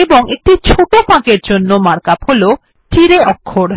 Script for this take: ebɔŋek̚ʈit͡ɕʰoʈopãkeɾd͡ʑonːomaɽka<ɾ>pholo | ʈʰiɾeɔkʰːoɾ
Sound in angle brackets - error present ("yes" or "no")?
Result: yes